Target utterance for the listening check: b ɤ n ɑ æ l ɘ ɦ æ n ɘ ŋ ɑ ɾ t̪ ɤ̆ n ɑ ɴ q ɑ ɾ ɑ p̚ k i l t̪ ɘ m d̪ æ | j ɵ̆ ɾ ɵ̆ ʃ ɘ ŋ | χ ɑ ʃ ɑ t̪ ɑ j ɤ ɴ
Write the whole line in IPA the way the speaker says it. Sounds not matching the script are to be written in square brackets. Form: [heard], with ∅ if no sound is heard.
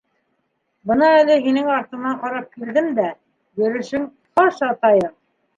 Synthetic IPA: b ɤ n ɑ æ l ɘ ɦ [i] n ɘ ŋ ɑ ɾ t̪ ɤ̆ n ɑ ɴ q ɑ ɾ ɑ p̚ k i l [d̪] ɘ m d̪ æ | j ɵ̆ ɾ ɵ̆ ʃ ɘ ŋ | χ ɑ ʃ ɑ t̪ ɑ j ɤ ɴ